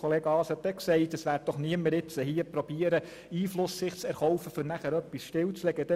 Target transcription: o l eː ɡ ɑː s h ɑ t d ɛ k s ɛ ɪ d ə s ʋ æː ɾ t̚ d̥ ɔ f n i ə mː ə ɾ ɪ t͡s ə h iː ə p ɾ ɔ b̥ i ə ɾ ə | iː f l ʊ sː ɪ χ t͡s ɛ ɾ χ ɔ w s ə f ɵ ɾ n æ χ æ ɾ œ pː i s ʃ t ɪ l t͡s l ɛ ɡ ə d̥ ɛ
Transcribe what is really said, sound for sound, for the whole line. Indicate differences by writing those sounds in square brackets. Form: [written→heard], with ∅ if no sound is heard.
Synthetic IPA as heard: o l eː ɡ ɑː s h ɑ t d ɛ k s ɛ ɪ [d→t] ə s ʋ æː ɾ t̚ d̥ ɔ [f→χ] n i ə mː ə ɾ ɪ t͡s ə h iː ə p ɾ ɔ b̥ i ə ɾ ə | iː f l ʊ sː ɪ χ t͡s ɛ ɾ χ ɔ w [s→f] ə f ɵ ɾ n æ χ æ ɾ œ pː i s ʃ t ɪ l t͡s l ɛ ɡ ə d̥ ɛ